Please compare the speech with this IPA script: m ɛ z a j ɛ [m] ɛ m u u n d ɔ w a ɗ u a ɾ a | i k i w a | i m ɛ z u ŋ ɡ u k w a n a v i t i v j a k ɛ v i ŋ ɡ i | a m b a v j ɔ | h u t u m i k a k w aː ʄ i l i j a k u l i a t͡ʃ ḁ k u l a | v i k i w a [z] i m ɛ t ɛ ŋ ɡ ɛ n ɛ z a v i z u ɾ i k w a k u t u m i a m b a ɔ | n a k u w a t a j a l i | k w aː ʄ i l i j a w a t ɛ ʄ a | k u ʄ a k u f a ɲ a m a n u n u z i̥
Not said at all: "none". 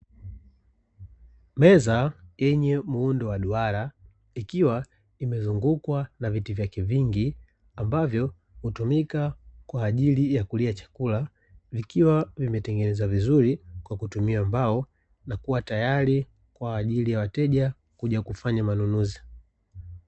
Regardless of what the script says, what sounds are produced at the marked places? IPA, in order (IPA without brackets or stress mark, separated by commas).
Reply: ɲ, v